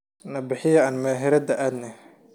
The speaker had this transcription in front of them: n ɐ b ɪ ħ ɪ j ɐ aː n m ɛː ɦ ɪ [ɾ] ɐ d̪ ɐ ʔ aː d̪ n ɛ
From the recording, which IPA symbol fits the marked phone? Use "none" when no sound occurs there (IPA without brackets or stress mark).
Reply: ɾ